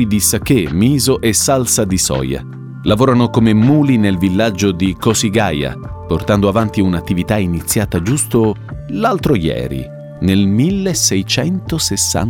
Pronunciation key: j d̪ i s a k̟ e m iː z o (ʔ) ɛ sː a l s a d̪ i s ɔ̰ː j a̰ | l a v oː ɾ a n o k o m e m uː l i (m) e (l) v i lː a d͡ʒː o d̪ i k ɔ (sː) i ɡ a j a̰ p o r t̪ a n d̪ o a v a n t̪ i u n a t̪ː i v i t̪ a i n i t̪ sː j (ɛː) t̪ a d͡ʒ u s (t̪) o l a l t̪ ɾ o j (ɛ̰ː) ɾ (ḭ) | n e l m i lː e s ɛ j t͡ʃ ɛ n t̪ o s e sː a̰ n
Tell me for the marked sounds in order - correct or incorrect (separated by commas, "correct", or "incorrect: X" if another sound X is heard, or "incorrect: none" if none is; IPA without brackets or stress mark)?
correct, incorrect: n, correct, incorrect: s, incorrect: aː, correct, correct, correct